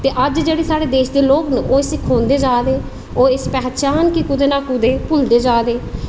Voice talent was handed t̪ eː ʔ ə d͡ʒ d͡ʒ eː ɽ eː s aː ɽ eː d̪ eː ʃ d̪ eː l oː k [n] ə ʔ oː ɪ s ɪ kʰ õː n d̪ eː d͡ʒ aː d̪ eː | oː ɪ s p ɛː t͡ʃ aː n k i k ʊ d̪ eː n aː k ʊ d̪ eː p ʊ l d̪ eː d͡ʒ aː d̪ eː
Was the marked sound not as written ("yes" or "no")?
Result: no